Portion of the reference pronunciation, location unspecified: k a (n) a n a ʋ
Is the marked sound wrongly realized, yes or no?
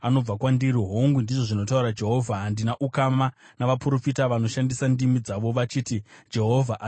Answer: yes